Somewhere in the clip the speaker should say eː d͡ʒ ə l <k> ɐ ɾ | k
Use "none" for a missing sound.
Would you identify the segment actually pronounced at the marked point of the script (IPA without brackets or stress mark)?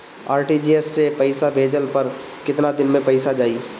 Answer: p